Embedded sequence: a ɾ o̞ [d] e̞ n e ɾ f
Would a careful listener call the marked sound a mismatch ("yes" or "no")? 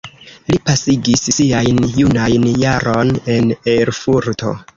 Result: yes